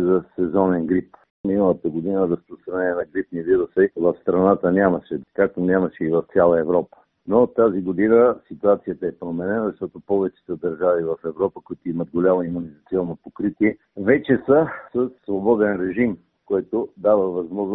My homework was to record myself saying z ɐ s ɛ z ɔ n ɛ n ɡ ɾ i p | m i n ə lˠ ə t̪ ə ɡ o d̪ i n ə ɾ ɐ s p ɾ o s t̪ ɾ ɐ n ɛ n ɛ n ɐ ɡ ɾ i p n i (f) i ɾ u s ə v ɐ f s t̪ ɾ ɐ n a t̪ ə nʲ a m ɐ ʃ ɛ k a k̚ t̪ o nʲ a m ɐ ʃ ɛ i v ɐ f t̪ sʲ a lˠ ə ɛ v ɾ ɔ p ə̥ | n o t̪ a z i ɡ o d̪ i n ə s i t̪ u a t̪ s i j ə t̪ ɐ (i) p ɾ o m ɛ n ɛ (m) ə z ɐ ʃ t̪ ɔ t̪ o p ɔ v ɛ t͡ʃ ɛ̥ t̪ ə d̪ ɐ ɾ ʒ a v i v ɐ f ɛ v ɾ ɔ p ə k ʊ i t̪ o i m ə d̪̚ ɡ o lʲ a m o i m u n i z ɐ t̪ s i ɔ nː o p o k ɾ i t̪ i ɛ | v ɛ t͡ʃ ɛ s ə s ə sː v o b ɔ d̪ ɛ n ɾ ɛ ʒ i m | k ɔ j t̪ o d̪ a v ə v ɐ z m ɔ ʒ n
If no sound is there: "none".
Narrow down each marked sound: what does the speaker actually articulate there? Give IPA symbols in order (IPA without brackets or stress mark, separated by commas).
v, ɛ, n